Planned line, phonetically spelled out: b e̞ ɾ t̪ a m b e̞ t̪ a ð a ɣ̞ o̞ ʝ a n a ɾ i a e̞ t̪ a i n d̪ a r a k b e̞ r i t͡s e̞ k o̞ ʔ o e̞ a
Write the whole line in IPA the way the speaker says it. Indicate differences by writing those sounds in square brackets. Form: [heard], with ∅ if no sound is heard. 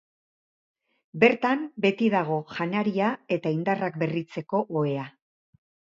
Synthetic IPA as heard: b e̞ ɾ t̪ a m b e̞ t̪ [i] ð a ɣ̞ o̞ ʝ a n a ɾ i a e̞ t̪ a i n d̪ a r a k b e̞ r i t͡s e̞ k o̞ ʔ o e̞ a